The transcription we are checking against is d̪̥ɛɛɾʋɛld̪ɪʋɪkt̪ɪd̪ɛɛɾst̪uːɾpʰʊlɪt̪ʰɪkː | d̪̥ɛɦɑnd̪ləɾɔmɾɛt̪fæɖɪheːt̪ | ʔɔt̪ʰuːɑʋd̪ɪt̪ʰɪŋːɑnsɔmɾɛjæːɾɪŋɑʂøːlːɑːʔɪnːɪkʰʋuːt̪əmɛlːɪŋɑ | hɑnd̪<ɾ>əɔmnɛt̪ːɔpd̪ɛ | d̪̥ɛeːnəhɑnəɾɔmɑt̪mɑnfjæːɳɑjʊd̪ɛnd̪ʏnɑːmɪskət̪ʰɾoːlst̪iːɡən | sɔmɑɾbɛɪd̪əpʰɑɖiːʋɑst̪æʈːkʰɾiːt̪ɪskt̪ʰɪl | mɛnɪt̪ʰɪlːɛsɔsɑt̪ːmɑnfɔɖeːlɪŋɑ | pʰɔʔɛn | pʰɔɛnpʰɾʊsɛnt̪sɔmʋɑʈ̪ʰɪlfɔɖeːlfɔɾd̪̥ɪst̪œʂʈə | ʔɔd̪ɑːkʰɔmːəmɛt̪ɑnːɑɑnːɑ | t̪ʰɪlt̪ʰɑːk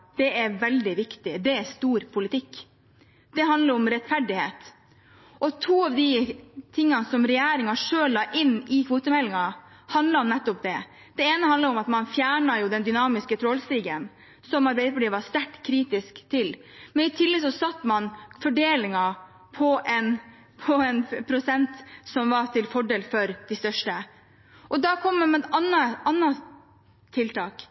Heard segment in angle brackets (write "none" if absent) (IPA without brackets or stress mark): l